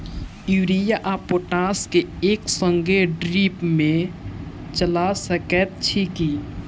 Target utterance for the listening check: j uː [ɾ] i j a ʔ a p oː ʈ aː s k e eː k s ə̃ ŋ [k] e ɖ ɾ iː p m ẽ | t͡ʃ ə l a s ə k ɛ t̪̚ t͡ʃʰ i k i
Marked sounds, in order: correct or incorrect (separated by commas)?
correct, incorrect